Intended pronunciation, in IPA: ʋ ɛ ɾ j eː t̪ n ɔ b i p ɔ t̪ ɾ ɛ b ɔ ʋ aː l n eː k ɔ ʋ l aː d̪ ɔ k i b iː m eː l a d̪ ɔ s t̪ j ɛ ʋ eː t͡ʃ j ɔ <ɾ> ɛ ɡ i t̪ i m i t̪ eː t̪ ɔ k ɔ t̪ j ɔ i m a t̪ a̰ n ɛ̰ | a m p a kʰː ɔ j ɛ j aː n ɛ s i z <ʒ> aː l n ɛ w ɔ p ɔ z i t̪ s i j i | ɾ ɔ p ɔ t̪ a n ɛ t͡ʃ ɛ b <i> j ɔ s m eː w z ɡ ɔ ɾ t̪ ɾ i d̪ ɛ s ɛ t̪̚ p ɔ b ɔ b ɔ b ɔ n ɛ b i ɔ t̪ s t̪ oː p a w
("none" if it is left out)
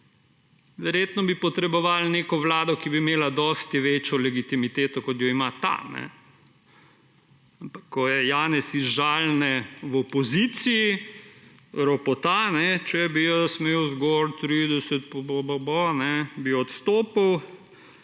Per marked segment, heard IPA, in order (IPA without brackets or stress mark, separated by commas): l, ʒ, i